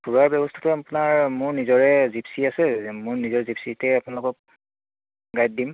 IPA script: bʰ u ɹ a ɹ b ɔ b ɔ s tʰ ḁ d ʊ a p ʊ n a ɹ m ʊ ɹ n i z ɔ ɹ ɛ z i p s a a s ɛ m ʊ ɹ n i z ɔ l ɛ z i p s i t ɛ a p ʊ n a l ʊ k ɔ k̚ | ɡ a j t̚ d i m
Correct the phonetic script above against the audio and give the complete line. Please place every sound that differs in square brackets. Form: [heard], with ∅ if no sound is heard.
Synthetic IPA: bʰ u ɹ a ɹ b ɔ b ɔ s tʰ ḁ [t] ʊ a p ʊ n a ɹ m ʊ ɹ n i z ɔ ɹ ɛ z i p s [i] a s ɛ m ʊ ɹ n i z ɔ [ɹ] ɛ z i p s i t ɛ a p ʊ n a l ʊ k ɔ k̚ | ɡ a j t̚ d i m